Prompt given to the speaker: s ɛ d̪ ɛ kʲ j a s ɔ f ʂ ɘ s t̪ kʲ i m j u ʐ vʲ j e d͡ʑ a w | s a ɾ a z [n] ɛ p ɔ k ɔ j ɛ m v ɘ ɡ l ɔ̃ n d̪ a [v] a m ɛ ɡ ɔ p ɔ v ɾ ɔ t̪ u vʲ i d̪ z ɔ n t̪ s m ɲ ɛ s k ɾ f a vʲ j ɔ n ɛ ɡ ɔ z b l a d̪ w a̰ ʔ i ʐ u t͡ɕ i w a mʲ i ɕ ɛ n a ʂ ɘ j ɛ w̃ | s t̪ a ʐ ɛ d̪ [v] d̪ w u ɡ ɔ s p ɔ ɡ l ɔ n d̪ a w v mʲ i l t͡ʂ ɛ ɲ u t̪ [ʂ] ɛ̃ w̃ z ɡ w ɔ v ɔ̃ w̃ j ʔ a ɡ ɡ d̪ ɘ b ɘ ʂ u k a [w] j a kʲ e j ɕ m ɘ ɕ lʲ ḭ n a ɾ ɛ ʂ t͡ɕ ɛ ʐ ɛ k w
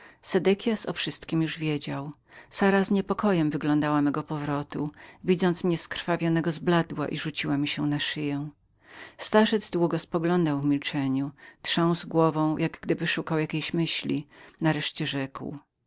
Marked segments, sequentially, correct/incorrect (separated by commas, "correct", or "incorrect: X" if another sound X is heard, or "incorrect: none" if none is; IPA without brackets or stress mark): incorrect: ɲ, incorrect: w, incorrect: z, correct, correct